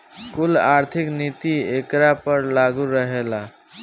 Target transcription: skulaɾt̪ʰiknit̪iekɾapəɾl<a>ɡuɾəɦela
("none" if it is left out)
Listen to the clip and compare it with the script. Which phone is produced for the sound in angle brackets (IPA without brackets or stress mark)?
a